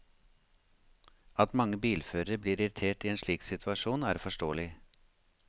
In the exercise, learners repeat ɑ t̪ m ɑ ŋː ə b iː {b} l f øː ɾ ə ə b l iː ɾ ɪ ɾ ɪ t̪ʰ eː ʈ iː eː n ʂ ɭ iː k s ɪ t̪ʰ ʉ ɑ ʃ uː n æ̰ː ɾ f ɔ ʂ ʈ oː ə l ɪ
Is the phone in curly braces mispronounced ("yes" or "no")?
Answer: yes